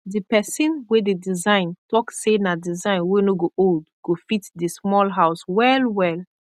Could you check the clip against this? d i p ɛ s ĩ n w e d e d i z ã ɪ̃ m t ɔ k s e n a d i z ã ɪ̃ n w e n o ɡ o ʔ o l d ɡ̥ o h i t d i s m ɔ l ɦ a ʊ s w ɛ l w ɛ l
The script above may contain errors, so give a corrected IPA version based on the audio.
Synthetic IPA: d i p ɛ s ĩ n w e d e d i z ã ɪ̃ n t ɔ k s e n a d i z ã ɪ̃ n w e n o ɡ o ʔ o l d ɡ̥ o f i t d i s m ɔ l ɦ a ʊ s w ɛ l w ɛ l